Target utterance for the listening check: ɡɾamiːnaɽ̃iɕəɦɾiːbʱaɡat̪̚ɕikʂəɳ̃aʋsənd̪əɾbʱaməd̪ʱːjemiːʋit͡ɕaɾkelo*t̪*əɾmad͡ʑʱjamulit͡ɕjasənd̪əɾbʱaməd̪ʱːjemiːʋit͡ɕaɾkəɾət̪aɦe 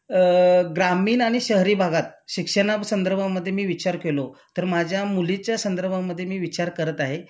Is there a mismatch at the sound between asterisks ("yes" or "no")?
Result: no